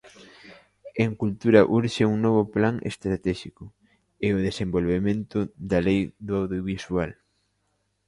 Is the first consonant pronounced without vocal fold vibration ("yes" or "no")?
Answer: no